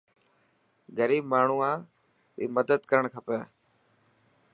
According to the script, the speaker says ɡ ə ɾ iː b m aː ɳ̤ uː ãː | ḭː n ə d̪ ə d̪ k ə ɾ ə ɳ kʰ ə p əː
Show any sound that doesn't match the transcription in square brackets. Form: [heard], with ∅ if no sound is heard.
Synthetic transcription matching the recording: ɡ ə ɾ iː b m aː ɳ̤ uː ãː | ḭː [m] ə d̪ ə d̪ k ə ɾ ə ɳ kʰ ə p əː